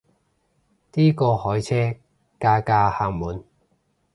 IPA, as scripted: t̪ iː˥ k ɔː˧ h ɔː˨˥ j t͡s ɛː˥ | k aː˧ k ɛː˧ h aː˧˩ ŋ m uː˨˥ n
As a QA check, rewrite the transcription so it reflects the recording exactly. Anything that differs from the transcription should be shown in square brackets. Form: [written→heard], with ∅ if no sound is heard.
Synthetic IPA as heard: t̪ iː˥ k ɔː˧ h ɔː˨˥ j [t͡s→t͡sʰ] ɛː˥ | k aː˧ k [ɛː˧→aː˧] h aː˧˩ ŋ m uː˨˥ n